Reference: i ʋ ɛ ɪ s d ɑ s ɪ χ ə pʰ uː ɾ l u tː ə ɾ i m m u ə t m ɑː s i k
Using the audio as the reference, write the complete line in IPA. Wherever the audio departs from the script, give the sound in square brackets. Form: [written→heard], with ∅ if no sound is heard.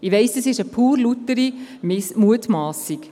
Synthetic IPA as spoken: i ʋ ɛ ɪ s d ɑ s ɪ [χ→ʃ] ə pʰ uː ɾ l u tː ə ɾ i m m u ə t m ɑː s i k